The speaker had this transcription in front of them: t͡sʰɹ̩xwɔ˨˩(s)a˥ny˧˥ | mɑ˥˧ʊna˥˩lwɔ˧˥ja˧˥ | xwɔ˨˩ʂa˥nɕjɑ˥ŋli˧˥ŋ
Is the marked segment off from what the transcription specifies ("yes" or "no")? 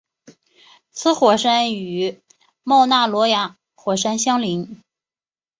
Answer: yes